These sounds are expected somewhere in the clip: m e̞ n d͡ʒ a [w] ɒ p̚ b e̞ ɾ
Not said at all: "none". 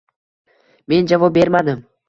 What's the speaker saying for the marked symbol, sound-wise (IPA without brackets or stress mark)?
v